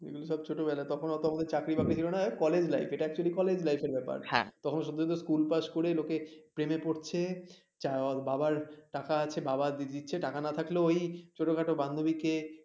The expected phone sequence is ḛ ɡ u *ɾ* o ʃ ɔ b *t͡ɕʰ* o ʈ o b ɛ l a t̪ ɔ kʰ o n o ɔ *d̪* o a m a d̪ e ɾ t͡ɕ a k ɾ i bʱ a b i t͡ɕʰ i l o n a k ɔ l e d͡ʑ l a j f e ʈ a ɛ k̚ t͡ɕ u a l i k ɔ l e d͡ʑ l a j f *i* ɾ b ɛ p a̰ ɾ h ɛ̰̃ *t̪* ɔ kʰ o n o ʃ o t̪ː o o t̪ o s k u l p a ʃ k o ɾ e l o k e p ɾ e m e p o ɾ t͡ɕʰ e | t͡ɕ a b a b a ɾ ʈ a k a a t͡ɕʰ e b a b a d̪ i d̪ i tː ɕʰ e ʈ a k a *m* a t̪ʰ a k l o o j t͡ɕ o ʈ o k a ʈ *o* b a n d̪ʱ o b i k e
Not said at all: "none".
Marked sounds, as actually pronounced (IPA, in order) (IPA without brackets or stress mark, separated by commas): l, t͡ɕʰ, t̪, e, t̪, n, o